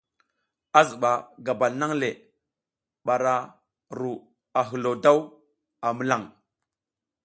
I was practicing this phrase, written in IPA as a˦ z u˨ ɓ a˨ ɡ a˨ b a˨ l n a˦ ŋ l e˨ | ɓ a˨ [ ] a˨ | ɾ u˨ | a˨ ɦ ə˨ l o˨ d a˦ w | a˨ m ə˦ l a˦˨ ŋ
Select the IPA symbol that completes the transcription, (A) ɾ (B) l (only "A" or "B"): A